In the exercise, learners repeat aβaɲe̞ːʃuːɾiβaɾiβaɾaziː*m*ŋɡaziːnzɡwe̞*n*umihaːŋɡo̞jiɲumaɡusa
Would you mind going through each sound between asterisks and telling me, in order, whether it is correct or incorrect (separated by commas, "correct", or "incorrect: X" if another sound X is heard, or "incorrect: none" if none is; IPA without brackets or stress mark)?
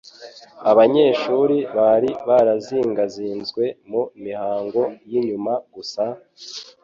incorrect: none, incorrect: m